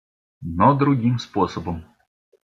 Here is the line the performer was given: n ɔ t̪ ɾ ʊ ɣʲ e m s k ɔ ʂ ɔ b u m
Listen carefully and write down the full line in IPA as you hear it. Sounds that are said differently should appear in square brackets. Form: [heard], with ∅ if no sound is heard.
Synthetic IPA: n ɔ [d̪] ɾ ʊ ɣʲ [i] m s [p] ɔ [s] ɔ b [ɔ] m